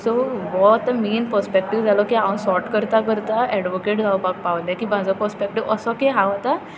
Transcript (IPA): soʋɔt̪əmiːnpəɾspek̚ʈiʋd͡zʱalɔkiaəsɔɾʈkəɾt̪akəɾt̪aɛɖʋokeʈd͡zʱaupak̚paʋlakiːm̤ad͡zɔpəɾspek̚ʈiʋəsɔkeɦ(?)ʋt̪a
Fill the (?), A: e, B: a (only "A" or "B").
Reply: B